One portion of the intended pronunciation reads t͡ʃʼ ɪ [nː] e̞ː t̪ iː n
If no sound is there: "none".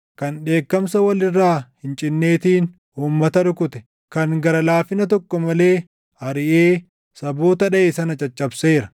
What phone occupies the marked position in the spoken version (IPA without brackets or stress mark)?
nː